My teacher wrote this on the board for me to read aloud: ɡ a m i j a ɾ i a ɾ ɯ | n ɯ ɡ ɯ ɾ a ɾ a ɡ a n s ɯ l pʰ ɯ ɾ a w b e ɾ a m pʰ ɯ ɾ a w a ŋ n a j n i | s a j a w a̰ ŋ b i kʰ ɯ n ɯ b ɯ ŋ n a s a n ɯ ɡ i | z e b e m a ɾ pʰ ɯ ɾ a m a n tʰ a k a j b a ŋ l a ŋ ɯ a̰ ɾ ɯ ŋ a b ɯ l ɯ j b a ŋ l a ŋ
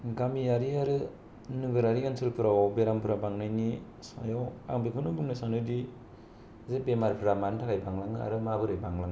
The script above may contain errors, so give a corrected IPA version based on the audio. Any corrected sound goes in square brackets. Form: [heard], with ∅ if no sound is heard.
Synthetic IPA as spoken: ɡ a m i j a ɾ i a ɾ ɯ | n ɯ ɡ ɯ ɾ a ɾ [i] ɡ a n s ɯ l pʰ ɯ ɾ a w b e ɾ a m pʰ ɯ ɾ a [b] a ŋ n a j n i | s a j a w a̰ ŋ b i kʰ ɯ n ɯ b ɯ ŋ n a s a n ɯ [d] i | z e b e m a ɾ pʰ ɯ ɾ a m a n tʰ a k a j b a ŋ l a ŋ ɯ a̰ ɾ ɯ [m] a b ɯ [ɾ] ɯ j b a ŋ l a ŋ